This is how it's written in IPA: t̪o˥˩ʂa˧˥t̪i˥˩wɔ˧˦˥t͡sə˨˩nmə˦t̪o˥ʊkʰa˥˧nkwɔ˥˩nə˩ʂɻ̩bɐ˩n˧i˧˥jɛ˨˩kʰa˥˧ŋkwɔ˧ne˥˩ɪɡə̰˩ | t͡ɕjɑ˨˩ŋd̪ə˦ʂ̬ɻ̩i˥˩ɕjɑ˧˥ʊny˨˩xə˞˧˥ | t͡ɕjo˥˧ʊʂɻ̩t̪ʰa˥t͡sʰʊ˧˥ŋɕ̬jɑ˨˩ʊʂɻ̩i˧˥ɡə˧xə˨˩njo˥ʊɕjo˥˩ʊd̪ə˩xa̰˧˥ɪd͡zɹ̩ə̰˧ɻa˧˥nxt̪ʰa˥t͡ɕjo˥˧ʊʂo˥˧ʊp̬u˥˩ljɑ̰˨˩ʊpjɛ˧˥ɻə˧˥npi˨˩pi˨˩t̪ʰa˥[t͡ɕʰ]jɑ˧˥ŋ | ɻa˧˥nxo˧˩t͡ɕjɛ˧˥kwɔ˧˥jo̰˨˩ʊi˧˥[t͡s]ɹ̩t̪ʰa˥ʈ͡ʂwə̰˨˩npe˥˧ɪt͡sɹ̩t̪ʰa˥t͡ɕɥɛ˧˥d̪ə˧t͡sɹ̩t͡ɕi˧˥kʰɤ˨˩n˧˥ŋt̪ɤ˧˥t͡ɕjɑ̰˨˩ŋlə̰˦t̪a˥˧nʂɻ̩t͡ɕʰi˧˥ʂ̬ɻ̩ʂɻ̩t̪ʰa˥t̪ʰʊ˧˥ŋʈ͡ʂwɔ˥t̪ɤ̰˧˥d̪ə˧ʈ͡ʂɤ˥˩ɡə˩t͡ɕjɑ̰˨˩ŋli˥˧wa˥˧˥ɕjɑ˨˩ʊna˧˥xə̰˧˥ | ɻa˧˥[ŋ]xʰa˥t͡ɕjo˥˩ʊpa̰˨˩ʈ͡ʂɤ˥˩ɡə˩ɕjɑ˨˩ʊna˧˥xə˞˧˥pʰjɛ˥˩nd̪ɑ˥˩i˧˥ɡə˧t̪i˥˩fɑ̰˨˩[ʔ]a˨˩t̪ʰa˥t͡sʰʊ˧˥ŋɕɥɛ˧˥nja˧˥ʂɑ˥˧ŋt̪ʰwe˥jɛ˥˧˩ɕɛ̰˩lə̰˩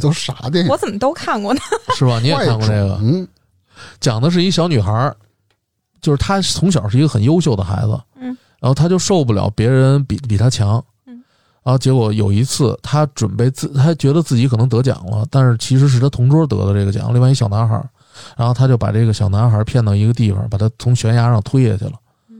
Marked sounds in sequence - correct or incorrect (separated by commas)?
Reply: correct, incorrect, incorrect, incorrect